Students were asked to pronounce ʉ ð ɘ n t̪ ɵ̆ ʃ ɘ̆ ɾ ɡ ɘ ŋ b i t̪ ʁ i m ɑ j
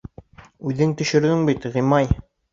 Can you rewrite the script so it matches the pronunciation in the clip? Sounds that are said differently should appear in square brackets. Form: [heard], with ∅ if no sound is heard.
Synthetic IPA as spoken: ʉ ð ɘ [ŋ] t̪ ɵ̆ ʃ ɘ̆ ɾ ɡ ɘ ŋ b i t̪ ʁ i m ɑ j

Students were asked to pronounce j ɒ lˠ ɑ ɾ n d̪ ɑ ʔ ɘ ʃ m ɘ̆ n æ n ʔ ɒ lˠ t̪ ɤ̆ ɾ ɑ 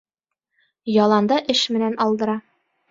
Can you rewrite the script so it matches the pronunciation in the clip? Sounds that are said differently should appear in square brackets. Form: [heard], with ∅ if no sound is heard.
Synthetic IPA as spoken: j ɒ lˠ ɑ [∅] n d̪ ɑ ʔ ɘ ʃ m ɘ̆ n æ n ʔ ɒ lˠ [d̪] ɤ̆ ɾ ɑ

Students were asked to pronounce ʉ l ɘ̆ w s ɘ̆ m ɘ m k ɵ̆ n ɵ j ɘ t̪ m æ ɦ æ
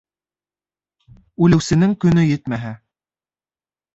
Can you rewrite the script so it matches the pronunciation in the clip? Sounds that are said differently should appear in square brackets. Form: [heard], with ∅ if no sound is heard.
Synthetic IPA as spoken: ʉ l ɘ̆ w s ɘ̆ [n] ɘ [ŋ] k ɵ̆ n ɵ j ɘ t̪ m æ ɦ æ

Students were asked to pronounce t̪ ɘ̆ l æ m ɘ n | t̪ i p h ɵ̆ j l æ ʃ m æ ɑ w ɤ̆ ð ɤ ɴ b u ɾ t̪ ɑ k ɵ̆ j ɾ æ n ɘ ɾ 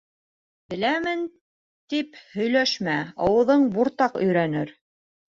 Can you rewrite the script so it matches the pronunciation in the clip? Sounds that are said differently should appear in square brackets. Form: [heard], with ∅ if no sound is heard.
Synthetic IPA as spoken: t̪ ɘ̆ l æ m ɘ n | t̪ i p h ɵ̆ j l æ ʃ m æ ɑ w ɤ̆ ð ɤ ɴ b u ɾ t̪ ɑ [q] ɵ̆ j ɾ æ n ɘ ɾ

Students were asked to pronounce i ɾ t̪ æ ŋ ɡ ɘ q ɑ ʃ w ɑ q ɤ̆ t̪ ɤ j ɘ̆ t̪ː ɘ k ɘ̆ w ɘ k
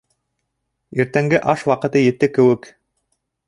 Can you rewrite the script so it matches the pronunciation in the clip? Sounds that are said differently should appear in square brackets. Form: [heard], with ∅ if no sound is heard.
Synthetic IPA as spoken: i ɾ t̪ æ ŋ ɡ ɘ [ʔ] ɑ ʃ w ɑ q ɤ̆ t̪ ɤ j ɘ̆ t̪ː ɘ k ɘ̆ w ɘ k

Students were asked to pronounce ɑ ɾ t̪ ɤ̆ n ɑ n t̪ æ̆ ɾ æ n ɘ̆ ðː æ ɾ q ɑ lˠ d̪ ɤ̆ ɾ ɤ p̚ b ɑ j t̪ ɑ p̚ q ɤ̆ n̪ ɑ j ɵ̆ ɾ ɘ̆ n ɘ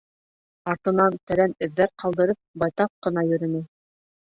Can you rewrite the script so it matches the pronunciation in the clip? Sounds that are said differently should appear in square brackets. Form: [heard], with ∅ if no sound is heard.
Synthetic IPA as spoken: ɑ ɾ t̪ ɤ̆ n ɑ n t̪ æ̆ ɾ æ n ɘ̆ ðː æ ɾ q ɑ lˠ d̪ ɤ̆ ɾ ɤ p̚ b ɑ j t̪ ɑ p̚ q ɤ̆ n̪ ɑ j ɵ̆ ɾ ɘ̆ n ɘ

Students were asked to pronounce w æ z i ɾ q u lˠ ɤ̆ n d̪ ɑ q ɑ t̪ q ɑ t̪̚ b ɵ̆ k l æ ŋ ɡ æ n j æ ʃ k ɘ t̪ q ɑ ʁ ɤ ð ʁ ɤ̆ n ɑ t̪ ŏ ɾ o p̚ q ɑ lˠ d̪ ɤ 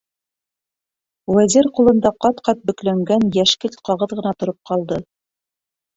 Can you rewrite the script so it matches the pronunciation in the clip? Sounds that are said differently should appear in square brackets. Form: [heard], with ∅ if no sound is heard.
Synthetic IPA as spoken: w æ z i ɾ q u lˠ ɤ̆ n d̪ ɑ q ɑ t̪ q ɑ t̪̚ b ɵ̆ k l æ ŋ ɡ æ n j æ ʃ k ɘ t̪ q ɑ ʁ ɤ ð ʁ ɤ̆ n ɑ t̪ ŏ ɾ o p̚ q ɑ lˠ d̪ ɤ

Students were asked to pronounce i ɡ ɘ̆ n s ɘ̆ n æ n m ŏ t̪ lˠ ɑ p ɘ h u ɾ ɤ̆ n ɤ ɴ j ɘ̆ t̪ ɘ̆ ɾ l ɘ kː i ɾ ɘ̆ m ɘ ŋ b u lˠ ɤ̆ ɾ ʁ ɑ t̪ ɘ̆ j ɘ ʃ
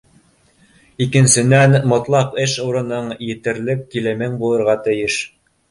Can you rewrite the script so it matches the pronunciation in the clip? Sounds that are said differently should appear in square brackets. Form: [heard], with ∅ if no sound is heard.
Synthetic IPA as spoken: i [k] ɘ̆ n s ɘ̆ n æ n m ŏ t̪ lˠ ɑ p ɘ [ʃ] u ɾ ɤ̆ n ɤ ɴ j ɘ̆ t̪ ɘ̆ ɾ l ɘ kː i [l] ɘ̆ m ɘ ŋ b u lˠ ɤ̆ ɾ ʁ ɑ t̪ ɘ̆ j ɘ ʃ

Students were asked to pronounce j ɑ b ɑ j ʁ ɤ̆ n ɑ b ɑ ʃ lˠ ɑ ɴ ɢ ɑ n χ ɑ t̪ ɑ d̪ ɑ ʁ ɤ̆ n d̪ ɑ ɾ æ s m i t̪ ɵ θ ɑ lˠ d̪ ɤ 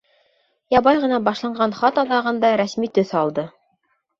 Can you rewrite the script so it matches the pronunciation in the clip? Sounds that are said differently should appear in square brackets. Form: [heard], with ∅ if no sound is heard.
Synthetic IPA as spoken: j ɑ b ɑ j ʁ ɤ̆ n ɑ b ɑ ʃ lˠ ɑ ɴ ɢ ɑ n χ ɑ t̪ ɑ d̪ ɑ ʁ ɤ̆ n d̪ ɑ ɾ æ s m i t̪ ɵ θ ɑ lˠ d̪ ɤ

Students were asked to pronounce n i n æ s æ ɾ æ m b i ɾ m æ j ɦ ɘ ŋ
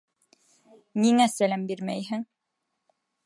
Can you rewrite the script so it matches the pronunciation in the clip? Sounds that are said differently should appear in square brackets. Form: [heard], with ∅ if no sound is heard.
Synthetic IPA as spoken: n i [ŋ] æ s æ [l] æ m b i ɾ m æ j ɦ ɘ ŋ

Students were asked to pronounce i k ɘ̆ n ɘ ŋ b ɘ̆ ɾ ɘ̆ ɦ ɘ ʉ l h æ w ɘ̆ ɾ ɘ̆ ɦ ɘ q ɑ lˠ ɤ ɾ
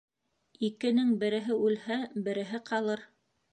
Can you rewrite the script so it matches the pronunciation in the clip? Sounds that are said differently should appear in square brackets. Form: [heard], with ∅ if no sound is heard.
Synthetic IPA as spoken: i k ɘ̆ n ɘ ŋ b ɘ̆ ɾ ɘ̆ ɦ ɘ ʉ l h æ [b] ɘ̆ ɾ ɘ̆ ɦ ɘ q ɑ lˠ ɤ ɾ

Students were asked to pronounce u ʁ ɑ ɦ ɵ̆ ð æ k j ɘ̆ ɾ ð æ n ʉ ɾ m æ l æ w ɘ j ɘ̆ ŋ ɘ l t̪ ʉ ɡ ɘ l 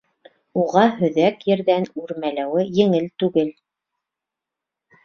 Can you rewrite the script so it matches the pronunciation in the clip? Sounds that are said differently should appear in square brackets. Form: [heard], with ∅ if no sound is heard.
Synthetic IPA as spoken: u ʁ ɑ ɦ ɵ̆ ð æ k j ɘ̆ ɾ ð æ n ʉ ɾ m æ l æ w ɘ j ɘ̆ ŋ ɘ l t̪ ʉ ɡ ɘ l

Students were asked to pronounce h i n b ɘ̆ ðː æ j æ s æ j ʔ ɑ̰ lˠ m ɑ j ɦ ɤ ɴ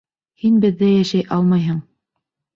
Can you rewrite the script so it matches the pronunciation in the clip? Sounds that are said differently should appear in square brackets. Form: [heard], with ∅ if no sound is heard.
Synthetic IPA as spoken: h i n b ɘ̆ ðː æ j æ [ʃ] æ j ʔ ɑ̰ lˠ m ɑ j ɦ ɤ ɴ

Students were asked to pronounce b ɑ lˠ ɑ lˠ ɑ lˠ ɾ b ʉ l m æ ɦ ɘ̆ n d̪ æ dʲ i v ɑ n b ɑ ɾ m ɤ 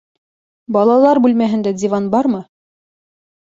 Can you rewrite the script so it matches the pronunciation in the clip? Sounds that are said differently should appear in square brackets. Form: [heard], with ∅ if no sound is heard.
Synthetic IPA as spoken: b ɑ lˠ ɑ lˠ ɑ [∅] ɾ b ʉ l m æ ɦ ɘ̆ n d̪ æ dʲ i v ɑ n b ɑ ɾ m ɤ

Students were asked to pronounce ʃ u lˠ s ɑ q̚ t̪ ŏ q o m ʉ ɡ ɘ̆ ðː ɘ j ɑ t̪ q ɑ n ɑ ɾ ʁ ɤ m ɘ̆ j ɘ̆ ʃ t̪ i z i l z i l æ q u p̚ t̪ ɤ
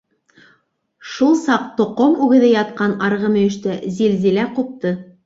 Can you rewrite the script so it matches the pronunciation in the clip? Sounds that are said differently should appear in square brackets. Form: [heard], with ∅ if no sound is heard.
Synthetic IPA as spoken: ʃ u lˠ s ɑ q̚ t̪ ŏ q o m ʉ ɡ ɘ̆ [ð] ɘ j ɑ t̪ q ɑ n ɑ ɾ ʁ ɤ m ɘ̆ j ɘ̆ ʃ t̪ [æ] z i l z i l æ q u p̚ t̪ ɤ

